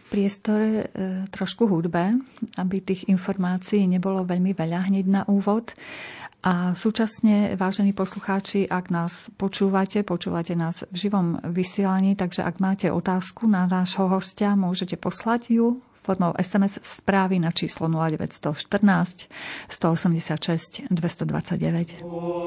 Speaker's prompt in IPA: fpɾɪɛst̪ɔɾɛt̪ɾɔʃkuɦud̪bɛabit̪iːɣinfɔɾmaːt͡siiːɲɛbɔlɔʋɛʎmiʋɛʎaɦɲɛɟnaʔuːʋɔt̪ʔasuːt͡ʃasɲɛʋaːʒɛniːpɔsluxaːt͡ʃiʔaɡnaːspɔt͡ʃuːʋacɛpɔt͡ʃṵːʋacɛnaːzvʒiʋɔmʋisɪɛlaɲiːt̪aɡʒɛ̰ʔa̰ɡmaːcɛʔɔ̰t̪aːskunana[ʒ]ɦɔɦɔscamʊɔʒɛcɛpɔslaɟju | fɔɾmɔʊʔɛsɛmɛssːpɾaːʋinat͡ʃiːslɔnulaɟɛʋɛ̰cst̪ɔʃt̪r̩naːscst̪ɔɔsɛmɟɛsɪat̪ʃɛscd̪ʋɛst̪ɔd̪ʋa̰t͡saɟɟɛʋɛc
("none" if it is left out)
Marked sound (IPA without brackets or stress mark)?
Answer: ʒ